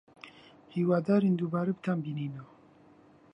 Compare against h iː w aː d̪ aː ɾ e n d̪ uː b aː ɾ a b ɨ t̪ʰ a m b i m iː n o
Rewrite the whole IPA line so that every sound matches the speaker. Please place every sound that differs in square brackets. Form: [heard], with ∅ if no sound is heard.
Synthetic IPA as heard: h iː w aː d̪ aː ɾ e n d̪ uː b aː ɾ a b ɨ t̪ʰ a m b i [n] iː n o